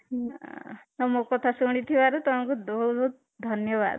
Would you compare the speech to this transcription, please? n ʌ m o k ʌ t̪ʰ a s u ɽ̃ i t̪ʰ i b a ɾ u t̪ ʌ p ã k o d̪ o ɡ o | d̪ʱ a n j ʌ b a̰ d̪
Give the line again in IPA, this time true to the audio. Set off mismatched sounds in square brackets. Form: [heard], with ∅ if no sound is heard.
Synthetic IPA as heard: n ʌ m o k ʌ t̪ʰ a s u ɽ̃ i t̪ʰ i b a ɾ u t̪ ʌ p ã k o d̪ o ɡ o | d̪ʱ [ʌ] n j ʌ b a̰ d̪